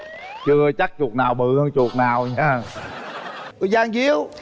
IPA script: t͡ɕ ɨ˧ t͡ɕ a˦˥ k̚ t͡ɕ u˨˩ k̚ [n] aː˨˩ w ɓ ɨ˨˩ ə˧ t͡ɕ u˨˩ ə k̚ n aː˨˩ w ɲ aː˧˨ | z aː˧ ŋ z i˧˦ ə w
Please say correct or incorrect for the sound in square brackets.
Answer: correct